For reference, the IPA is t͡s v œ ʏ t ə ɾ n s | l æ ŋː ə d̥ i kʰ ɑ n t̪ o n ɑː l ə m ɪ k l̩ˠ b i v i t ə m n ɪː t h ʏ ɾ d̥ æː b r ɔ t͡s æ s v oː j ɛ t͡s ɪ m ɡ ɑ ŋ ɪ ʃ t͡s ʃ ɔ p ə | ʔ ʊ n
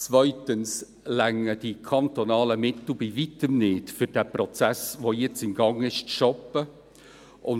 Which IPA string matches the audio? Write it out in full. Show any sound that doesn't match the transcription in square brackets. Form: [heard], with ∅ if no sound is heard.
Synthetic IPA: t͡s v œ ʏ t ə [∅] n s | l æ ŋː ə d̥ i kʰ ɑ n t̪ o n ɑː l ə m ɪ [t] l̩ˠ b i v i t ə m n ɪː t [f] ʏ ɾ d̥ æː [p] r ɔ t͡s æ s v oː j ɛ t͡s ɪ m ɡ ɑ ŋ ɪ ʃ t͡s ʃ ɔ p ə | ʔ ʊ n